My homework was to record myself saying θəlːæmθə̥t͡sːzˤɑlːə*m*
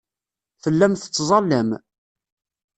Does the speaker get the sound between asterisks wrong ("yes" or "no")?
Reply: no